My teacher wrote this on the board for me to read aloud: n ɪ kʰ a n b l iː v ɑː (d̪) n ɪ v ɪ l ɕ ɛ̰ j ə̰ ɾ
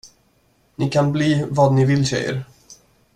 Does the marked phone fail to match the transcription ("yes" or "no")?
no